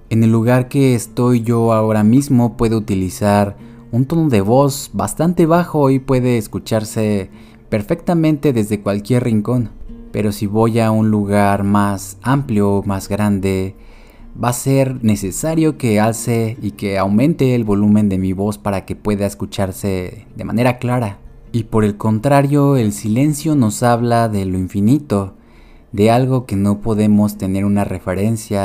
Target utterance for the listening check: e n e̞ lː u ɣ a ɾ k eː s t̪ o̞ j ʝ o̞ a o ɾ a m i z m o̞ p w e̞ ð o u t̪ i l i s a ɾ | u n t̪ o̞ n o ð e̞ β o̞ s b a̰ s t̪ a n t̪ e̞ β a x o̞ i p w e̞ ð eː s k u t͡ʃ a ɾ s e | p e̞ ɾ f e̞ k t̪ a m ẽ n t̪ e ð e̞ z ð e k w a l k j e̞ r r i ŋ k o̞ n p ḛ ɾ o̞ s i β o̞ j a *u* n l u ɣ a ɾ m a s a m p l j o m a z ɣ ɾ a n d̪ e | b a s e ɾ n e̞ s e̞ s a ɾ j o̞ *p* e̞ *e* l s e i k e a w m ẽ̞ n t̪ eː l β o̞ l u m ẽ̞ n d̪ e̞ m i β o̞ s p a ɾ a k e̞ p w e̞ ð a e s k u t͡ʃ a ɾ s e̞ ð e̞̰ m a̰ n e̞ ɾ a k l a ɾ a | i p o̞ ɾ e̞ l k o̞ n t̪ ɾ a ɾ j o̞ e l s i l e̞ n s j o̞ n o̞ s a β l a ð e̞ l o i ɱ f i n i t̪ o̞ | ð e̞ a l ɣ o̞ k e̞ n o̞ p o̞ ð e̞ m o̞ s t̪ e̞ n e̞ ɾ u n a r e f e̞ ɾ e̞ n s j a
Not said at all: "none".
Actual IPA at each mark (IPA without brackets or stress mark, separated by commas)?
u, k, a